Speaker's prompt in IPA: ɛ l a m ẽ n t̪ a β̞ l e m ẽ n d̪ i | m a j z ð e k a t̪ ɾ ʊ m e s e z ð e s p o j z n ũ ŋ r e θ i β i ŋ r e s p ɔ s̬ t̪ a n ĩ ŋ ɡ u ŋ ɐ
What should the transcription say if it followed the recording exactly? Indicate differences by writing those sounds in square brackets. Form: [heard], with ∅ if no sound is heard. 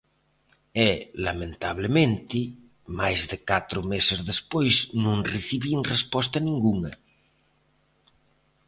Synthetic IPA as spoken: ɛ l a m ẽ n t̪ a β̞ l e m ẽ n [t̪] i | m a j z ð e k a t̪ ɾ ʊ m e s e z ð e s p o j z n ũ ŋ r e θ i β i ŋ r e s p ɔ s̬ t̪ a n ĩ ŋ ɡ u ŋ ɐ